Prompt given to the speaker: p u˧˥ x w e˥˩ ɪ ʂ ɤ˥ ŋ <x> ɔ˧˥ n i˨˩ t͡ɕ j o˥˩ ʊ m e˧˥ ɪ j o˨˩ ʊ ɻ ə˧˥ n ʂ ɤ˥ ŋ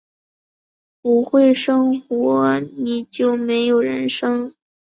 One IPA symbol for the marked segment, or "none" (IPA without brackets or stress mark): x